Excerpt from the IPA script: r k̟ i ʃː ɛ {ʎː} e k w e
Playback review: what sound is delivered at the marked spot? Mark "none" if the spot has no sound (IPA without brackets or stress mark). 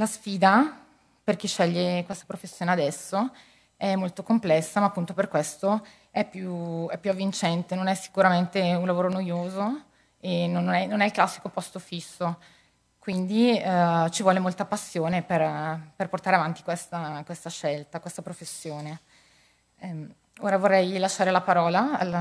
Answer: ʎː